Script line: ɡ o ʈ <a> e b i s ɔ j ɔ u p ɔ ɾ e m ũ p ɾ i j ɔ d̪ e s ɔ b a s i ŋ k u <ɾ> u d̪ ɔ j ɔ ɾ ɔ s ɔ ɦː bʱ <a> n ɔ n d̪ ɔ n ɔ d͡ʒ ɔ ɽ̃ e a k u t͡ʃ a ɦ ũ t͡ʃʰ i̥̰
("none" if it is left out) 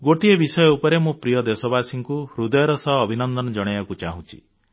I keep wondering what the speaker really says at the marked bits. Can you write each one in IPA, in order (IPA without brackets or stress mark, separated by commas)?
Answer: i, ɾ, i